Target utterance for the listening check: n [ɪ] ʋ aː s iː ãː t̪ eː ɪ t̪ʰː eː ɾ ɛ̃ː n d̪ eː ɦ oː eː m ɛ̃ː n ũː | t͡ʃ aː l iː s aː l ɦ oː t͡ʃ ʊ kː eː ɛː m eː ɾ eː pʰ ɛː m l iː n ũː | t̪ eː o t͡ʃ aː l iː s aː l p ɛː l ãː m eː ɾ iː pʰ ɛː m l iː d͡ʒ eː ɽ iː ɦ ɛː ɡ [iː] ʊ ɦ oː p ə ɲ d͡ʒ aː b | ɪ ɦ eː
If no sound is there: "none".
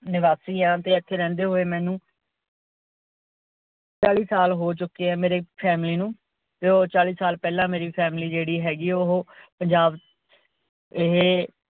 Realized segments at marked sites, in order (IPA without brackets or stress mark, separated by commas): ɪ, iː